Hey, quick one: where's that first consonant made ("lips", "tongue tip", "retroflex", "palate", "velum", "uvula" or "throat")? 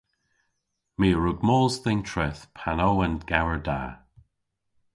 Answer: lips